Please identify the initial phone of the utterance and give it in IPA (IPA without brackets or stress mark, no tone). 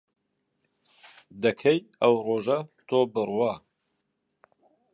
d̪